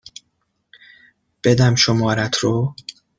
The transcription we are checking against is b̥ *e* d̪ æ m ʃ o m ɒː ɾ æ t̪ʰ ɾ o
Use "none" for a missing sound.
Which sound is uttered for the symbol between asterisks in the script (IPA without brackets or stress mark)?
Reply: e